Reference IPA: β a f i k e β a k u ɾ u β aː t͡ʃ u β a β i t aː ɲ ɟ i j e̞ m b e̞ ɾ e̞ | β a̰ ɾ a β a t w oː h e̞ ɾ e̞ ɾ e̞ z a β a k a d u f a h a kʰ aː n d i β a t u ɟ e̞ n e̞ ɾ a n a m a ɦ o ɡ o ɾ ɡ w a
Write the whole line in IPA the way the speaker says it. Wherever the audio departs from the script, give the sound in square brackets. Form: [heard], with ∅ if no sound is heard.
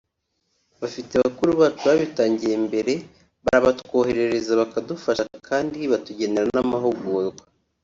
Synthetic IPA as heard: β a f i [t] e β a k u ɾ u β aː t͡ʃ u β a β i t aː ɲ ɟ i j e̞ m b e̞ ɾ e̞ | β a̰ ɾ a β a t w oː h e̞ ɾ e̞ ɾ e̞ z a β a k a d u f a [ʃ] a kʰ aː n d i β a t u ɟ e̞ n e̞ ɾ a n a m a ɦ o ɡ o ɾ ɡ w a